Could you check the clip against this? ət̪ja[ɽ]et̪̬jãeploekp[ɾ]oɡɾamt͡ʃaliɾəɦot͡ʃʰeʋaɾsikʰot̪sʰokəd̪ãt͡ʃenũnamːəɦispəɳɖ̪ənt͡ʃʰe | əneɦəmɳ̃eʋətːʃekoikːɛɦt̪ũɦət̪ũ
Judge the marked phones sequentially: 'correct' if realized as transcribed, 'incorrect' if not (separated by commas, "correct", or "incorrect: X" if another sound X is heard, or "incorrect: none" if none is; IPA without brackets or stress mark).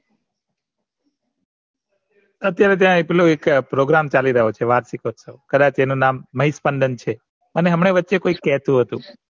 incorrect: ɾ, correct